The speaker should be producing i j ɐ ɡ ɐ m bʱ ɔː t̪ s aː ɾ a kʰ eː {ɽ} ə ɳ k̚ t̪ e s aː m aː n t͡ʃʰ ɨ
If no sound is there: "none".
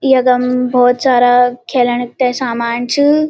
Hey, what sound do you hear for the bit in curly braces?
l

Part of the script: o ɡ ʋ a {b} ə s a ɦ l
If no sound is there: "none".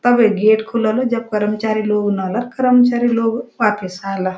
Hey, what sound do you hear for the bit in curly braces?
p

